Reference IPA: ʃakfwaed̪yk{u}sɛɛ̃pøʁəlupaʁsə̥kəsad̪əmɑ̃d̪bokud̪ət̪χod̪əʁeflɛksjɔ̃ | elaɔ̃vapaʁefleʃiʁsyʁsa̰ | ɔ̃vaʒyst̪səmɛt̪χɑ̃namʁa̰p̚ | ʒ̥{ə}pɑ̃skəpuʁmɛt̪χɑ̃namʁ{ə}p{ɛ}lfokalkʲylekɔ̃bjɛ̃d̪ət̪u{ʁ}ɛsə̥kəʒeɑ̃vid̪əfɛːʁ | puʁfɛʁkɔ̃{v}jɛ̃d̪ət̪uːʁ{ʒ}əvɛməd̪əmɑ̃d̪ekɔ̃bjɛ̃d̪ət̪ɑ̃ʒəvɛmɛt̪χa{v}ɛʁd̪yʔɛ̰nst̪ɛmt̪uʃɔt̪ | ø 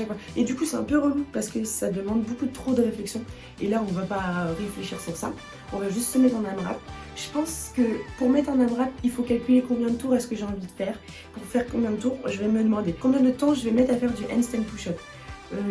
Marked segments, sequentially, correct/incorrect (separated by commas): correct, correct, incorrect, incorrect, correct, incorrect, correct, incorrect